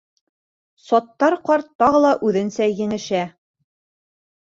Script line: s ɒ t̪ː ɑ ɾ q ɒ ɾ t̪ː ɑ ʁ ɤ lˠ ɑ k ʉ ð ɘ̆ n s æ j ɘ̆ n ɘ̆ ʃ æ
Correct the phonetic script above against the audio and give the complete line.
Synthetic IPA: s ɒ t̪ː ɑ ɾ q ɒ ɾ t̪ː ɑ ʁ ɤ lˠ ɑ ʔ ʉ ð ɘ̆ n s æ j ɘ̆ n ɘ̆ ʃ æ